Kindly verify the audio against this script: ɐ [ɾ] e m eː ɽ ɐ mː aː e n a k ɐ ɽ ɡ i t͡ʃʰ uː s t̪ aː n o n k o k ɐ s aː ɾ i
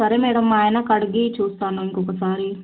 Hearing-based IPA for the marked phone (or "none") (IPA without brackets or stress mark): ɾ